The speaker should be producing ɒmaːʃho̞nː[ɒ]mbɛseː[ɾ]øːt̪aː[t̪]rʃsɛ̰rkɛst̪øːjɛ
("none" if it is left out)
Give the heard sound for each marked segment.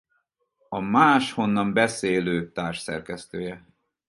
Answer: ɒ, l, none

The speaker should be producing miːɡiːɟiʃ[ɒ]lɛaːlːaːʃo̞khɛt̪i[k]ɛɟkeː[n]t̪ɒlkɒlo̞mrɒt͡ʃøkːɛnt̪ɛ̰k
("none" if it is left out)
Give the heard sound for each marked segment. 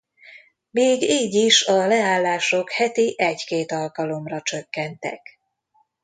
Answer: ɒ, ʔ, none

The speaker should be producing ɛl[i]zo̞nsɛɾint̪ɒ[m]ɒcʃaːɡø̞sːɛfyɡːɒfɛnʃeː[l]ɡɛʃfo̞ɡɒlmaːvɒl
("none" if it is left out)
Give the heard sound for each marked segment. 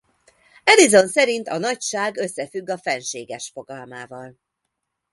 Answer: i, n, none

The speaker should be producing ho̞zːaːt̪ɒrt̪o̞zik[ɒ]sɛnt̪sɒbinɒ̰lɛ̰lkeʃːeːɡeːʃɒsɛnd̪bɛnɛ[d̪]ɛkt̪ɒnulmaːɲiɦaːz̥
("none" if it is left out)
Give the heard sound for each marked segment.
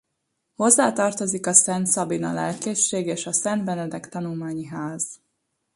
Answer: ɒ, d̪

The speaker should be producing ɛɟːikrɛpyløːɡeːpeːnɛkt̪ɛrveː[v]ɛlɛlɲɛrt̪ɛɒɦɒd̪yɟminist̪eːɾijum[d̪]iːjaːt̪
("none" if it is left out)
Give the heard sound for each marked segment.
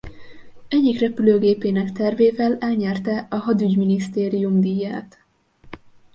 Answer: v, d̪

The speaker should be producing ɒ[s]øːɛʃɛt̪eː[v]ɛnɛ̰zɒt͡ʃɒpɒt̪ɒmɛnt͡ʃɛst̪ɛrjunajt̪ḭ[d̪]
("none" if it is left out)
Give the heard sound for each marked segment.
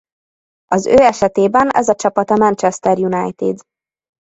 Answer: z, b, d̪

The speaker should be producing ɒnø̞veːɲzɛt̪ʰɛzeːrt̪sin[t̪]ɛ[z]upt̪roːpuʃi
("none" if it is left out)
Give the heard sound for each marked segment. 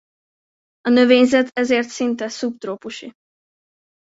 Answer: t̪, s

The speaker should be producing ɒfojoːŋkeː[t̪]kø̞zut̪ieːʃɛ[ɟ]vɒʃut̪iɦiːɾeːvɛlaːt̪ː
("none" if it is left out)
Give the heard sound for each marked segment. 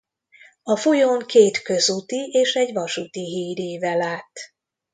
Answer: t̪, ɟ

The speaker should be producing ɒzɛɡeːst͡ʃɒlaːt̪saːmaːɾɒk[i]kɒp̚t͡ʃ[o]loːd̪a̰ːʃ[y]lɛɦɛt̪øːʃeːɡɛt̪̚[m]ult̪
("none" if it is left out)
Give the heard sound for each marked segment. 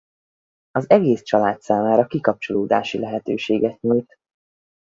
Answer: i, o, i, ɲ

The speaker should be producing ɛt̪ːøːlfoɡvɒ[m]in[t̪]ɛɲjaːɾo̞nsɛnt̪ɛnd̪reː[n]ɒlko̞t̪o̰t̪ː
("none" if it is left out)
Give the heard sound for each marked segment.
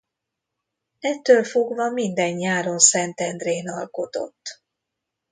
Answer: m, d̪, n

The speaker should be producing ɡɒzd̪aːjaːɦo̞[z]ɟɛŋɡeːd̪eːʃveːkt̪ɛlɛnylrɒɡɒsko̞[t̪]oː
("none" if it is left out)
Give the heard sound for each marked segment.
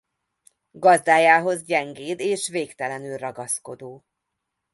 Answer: z, d̪

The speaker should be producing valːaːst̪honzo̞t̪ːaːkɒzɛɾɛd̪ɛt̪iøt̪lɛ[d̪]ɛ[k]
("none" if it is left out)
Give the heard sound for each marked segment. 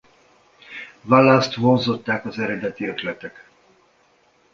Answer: t̪, k

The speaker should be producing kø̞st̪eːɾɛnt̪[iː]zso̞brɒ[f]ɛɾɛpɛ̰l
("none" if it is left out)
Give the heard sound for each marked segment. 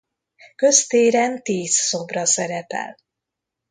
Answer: iː, s

